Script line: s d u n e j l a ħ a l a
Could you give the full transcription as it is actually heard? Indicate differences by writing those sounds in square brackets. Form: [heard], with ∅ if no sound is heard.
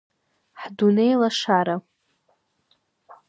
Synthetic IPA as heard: [ħ] d u n e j l a [ʂ] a [ɾ] a